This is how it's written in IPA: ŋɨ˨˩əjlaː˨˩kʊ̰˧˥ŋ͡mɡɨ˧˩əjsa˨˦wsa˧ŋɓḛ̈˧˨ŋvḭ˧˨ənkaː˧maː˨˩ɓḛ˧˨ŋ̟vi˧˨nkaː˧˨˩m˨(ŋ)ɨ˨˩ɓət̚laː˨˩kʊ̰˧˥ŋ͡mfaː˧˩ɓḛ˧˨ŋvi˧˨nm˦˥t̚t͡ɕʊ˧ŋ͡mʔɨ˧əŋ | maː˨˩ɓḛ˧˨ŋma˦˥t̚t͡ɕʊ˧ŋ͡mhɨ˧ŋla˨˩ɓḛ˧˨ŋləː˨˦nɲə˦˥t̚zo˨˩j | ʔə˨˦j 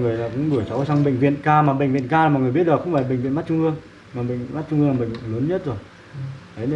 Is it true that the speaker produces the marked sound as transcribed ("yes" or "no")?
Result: yes